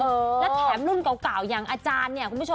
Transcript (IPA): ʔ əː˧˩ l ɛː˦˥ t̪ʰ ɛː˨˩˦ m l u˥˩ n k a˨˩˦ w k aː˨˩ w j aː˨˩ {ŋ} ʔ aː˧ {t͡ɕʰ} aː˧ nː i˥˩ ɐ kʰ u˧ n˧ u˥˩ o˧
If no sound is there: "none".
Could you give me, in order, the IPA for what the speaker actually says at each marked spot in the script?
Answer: ŋ, t͡ɕ

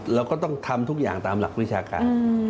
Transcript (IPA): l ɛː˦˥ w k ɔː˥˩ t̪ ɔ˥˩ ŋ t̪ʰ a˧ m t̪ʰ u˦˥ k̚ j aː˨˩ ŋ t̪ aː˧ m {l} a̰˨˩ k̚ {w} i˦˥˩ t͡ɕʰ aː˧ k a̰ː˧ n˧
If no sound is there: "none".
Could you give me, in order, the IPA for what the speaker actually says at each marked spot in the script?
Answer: l, w

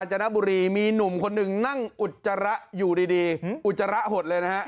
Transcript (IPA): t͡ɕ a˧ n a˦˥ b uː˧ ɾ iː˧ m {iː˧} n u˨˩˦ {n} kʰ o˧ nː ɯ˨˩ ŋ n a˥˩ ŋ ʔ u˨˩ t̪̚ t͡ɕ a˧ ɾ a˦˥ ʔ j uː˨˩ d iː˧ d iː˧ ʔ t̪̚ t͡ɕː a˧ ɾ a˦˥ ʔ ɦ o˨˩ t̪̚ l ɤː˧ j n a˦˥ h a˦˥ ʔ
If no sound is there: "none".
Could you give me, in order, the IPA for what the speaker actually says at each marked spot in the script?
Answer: iː˧, m

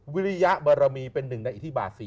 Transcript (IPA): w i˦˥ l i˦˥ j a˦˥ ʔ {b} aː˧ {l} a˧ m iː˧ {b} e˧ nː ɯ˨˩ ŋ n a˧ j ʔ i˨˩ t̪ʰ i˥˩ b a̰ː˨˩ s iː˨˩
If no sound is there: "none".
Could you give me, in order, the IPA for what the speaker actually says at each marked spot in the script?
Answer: b, ɾ, p

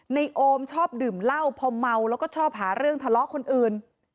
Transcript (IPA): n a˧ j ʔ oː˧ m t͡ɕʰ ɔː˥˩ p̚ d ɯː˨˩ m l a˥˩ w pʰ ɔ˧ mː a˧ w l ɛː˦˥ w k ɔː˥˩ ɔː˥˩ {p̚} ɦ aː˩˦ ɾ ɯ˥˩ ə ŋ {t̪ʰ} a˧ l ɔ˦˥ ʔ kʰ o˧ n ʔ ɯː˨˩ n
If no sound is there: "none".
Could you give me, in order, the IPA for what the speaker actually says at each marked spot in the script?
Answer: p̚, t̪ʰ

